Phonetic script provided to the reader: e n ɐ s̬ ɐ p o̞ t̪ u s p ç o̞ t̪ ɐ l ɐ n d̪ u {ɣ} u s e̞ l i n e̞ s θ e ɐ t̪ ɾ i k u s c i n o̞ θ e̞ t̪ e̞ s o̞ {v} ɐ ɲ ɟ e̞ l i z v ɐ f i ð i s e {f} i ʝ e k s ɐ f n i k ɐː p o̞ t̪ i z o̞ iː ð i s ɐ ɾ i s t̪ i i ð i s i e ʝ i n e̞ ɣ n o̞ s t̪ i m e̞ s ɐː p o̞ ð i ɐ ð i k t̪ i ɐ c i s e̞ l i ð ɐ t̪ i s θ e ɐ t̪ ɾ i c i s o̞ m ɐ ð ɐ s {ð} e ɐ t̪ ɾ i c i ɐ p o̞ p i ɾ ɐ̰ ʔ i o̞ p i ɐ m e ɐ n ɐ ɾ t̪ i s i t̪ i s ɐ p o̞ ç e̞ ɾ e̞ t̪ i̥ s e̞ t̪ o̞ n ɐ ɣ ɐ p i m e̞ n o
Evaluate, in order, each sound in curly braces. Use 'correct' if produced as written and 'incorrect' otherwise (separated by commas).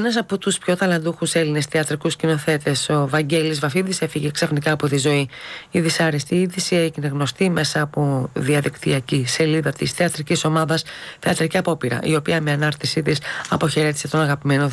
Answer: incorrect, correct, correct, incorrect